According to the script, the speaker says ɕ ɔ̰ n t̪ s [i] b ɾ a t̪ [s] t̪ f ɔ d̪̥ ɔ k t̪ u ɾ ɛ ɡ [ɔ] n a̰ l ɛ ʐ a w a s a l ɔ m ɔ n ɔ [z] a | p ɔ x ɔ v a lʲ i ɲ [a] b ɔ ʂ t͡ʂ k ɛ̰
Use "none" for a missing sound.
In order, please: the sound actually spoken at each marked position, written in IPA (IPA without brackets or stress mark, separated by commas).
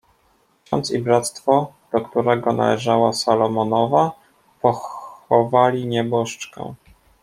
i, s, ɔ, v, ɛ